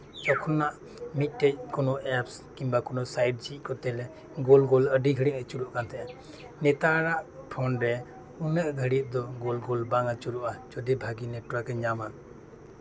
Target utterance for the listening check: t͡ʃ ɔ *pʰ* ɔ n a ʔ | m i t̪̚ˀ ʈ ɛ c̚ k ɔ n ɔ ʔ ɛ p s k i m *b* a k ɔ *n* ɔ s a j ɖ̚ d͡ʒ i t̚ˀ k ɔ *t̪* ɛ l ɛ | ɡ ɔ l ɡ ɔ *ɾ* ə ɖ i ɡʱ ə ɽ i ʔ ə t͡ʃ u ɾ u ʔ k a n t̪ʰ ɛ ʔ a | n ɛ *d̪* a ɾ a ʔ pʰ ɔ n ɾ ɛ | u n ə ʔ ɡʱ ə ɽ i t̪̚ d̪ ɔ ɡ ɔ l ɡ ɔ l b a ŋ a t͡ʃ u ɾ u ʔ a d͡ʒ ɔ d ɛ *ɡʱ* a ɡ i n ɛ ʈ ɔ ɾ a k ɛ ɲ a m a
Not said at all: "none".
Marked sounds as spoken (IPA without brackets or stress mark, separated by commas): kʰ, b, n, t̪, l, t̪, bʱ